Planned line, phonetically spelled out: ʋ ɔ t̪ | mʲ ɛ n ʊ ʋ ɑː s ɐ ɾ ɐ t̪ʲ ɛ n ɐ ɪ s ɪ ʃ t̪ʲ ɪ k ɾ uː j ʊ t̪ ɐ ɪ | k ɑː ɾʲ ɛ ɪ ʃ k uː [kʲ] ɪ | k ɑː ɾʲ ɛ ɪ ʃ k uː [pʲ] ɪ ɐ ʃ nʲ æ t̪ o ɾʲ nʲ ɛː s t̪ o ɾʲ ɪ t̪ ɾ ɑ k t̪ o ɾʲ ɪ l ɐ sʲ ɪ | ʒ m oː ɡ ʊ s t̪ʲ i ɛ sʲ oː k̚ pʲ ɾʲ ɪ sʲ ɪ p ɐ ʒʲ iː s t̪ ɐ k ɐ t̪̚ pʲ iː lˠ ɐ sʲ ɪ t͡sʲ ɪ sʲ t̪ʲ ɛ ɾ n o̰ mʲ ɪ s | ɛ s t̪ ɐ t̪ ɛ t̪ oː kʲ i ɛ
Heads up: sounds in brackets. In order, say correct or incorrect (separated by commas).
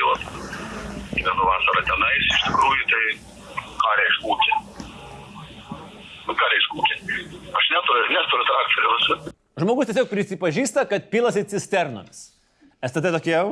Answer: correct, incorrect